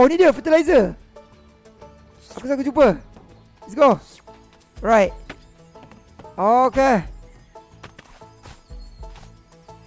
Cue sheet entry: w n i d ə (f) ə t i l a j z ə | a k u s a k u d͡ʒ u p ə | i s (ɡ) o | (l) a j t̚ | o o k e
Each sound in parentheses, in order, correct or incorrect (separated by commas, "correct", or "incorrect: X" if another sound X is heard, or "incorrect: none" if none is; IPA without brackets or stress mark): correct, correct, incorrect: ɹ